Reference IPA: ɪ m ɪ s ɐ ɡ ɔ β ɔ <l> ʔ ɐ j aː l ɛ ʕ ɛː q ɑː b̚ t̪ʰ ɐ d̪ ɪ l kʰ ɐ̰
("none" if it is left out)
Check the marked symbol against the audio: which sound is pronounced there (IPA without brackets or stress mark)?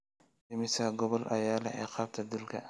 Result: l